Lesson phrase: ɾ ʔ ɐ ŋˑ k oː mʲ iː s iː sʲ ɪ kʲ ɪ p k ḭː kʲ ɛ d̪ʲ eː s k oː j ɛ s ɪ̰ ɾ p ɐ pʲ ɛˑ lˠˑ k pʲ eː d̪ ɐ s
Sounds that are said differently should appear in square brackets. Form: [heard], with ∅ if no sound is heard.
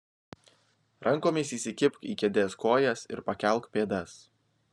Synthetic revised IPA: ɾ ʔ ɐ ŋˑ k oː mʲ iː s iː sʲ ɪ kʲ ɪ p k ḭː kʲ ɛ d̪ʲ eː s k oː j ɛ s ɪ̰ ɾ p ɐ [kʲ] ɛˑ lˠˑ k pʲ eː d̪ ɐ s